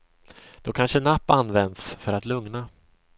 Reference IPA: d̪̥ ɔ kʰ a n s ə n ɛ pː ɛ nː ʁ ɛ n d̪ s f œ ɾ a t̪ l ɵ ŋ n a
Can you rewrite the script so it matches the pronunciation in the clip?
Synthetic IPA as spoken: d̪̥ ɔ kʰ a n ʂ ə n a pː a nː v ɛ n d̪ s f œ ɾ a t̪ l ɵ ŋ n a